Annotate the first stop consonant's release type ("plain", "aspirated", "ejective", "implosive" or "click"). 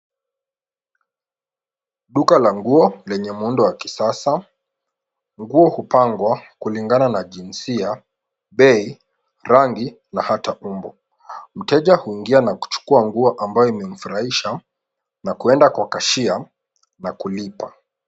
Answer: implosive